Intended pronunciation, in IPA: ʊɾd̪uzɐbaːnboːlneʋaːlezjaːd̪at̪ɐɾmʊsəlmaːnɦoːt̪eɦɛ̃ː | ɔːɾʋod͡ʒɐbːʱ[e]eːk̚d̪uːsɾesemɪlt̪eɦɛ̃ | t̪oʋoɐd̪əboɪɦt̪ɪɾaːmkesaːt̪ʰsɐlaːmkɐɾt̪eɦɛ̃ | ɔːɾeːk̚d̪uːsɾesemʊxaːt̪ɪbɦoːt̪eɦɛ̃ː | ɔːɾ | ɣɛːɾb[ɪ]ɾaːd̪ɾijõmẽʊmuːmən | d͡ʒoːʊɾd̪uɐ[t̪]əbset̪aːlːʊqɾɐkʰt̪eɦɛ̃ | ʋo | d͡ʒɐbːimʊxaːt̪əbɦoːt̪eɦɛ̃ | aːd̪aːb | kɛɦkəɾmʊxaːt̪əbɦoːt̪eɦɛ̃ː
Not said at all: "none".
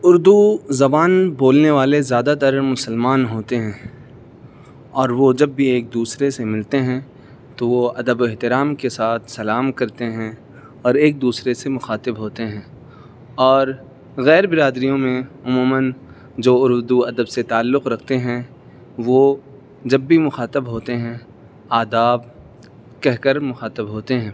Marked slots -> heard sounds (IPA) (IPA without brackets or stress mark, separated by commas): i, ɪ, d̪